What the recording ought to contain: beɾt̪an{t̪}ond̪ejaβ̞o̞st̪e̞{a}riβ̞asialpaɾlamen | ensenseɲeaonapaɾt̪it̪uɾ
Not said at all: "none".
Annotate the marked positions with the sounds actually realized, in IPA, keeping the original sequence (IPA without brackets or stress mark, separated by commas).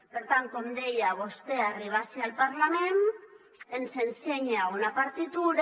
t̪, a